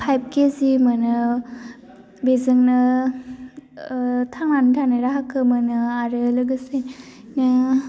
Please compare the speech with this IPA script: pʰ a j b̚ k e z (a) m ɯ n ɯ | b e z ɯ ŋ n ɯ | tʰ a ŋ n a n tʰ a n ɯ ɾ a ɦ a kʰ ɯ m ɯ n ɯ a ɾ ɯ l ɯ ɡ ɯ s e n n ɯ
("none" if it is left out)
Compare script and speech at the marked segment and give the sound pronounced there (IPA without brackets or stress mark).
i